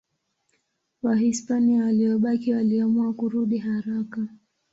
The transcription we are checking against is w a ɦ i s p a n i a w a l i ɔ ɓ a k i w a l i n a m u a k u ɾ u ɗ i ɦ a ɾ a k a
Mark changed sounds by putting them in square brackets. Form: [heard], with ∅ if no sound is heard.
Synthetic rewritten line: w a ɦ i s p a n i a w a l i ɔ ɓ a k i w a l i [∅] a m u a k u ɾ u ɗ i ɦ a ɾ a k a